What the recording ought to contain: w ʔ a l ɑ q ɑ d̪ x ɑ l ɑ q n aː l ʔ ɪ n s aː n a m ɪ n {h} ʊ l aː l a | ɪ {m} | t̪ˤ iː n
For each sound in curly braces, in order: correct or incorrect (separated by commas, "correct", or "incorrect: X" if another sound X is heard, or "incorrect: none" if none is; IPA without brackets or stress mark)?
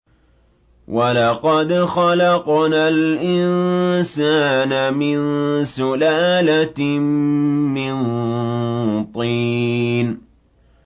incorrect: s, incorrect: n